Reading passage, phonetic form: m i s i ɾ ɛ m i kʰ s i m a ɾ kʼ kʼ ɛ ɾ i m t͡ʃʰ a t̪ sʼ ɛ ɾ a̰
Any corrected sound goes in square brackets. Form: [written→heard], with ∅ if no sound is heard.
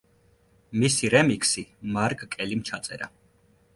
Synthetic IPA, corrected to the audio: m i s i ɾ ɛ m i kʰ s i m a ɾ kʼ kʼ ɛ [ɾ→l] i m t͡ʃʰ a t̪ sʼ ɛ ɾ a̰

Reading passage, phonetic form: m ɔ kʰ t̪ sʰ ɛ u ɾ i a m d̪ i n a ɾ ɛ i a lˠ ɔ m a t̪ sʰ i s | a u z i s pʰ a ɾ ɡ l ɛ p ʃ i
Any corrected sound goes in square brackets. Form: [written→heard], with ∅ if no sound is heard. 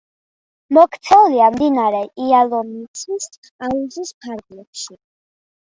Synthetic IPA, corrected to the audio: m ɔ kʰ t̪ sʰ ɛ u [ɾ→l] i a m d̪ i n a ɾ ɛ i a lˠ ɔ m [a→i] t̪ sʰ i s | a u z i s pʰ a ɾ ɡ l ɛ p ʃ i

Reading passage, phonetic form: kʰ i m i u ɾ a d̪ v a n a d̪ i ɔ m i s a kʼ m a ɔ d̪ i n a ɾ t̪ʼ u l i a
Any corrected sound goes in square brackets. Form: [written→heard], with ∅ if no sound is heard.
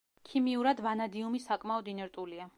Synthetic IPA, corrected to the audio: kʰ i m i u ɾ a d̪ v a n a d̪ i [ɔ→u] m i s a kʼ m a ɔ d̪ i n [a→ɛ] ɾ t̪ʼ u l i a

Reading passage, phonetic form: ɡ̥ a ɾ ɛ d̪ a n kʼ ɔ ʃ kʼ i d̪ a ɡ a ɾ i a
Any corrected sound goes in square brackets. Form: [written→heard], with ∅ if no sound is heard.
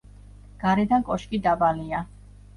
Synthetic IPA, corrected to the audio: ɡ̥ a ɾ ɛ d̪ a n kʼ ɔ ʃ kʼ i d̪ a [ɡ→b] a [ɾ→l] i a

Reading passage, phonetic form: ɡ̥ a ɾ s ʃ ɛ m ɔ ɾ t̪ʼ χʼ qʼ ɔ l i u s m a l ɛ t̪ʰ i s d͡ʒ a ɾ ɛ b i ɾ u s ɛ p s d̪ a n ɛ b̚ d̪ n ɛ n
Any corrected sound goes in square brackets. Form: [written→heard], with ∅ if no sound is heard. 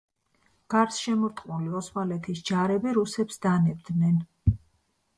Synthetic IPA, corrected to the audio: ɡ̥ a ɾ s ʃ ɛ m ɔ ɾ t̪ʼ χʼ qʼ [ɔ→u] l i [u→ɔ] s m a l ɛ t̪ʰ i s d͡ʒ a ɾ ɛ b i ɾ u s ɛ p s d̪ a n ɛ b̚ d̪ n ɛ n

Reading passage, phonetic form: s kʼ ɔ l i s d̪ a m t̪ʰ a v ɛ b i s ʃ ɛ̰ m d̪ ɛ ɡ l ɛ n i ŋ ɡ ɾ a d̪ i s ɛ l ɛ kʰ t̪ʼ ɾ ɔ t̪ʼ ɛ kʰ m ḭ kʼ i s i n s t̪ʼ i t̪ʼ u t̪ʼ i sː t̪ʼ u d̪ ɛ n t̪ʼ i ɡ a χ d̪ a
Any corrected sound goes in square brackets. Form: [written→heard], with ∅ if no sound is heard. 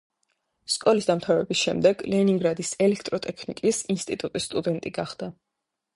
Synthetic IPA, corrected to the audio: s kʼ ɔ l i s d̪ a m t̪ʰ a v ɛ b i s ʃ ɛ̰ m d̪ ɛ ɡ l ɛ n i ŋ ɡ ɾ a d̪ i s ɛ l ɛ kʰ t̪ʼ ɾ ɔ t̪ʼ ɛ kʰ [m→n] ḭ kʼ i s i n s t̪ʼ i t̪ʼ u t̪ʼ i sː t̪ʼ u d̪ ɛ n t̪ʼ i ɡ a χ d̪ a

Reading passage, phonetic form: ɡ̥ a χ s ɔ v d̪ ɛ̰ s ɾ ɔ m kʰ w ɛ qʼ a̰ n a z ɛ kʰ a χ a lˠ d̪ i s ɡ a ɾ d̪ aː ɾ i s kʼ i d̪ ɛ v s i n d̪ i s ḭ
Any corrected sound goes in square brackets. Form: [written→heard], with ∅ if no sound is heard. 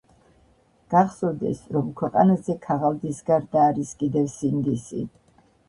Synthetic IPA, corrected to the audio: ɡ̥ a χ s ɔ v d̪ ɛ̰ s ɾ ɔ m kʰ w ɛ qʼ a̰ n a z ɛ kʰ a [χ→ʁ] a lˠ d̪ i s ɡ a ɾ d̪ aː ɾ i s kʼ i d̪ ɛ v s i n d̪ i s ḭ

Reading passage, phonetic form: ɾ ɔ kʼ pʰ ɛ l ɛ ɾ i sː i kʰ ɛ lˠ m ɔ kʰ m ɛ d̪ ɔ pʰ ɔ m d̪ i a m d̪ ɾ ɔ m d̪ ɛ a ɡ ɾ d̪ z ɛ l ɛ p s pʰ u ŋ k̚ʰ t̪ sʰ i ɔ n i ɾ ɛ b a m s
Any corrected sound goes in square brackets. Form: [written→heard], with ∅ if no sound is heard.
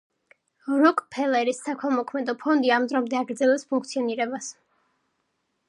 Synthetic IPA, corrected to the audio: ɾ ɔ kʼ pʰ ɛ l ɛ ɾ i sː [i→a] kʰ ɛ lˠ m ɔ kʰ m ɛ d̪ ɔ pʰ ɔ [m→n] d̪ i a m d̪ ɾ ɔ m d̪ ɛ a ɡ ɾ d̪ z ɛ l ɛ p s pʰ u ŋ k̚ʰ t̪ sʰ i ɔ n i ɾ ɛ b a [m→∅] s

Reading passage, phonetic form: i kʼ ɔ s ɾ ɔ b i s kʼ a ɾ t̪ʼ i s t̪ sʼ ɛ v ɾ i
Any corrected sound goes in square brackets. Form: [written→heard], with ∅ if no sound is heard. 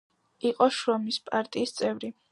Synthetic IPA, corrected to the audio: i [kʼ→qʼ] ɔ [s→ʃ] ɾ ɔ [b→m] i s [kʼ→pʼ] a ɾ t̪ʼ [i→iː] s t̪ sʼ ɛ v ɾ i

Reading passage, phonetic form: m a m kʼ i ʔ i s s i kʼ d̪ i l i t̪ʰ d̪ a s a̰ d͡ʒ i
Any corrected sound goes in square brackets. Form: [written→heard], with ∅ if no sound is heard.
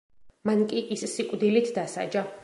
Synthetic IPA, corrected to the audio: m a [m→n] kʼ i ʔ i s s i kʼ d̪ i l i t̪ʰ d̪ a s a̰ d͡ʒ [i→a]

